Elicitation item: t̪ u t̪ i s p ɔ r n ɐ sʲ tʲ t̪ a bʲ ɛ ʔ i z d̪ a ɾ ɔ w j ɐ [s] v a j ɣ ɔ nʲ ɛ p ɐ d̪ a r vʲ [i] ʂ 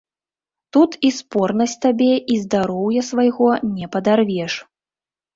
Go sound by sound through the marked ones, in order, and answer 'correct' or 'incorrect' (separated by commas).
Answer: correct, incorrect